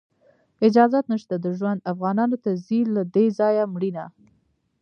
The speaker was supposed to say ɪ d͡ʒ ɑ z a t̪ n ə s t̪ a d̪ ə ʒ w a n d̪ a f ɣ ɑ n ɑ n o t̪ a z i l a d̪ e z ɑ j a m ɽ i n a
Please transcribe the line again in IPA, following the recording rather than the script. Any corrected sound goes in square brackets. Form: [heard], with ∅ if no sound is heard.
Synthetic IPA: ɪ d͡ʒ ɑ z a t̪ n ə [ʃ] t̪ a d̪ ə ʒ w a n d̪ a f ɣ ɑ n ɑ n o t̪ a z i l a d̪ e z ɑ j a m ɽ i n a